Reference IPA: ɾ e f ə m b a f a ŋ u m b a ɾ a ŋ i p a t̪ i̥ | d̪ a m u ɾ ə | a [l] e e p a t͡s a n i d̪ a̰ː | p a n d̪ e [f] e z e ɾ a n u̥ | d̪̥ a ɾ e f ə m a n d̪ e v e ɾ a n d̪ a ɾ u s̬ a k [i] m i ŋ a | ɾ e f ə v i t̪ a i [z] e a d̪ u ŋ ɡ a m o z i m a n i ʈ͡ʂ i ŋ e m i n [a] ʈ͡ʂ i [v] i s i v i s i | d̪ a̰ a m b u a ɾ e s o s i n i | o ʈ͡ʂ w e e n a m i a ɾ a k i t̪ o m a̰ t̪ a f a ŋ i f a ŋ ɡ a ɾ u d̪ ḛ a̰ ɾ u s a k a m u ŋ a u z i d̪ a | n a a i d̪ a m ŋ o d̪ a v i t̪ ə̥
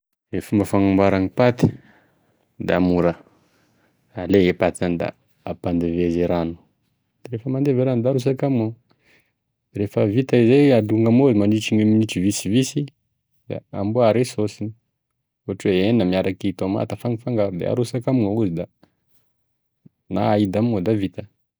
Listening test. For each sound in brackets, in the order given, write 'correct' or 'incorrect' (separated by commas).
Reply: correct, incorrect, incorrect, correct, incorrect, correct